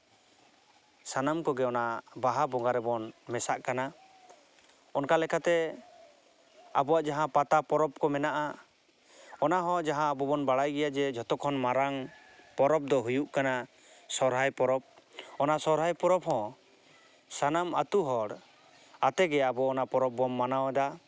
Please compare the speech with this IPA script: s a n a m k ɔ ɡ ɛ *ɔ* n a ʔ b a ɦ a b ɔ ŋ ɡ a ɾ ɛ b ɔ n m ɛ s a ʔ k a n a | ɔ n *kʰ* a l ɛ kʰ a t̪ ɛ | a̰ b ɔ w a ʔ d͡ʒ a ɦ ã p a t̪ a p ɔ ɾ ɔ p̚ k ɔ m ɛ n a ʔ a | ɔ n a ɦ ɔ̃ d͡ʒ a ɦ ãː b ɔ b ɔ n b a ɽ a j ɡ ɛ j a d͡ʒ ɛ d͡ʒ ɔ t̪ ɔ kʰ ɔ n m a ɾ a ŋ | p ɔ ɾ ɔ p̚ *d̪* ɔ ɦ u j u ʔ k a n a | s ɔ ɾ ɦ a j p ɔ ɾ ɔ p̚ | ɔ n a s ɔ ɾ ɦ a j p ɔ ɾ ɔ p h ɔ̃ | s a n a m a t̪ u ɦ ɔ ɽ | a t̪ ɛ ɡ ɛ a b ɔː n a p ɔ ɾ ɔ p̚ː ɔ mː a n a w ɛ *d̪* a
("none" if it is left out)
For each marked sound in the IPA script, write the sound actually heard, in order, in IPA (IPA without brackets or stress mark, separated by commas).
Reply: ɔ, k, d̪, d̪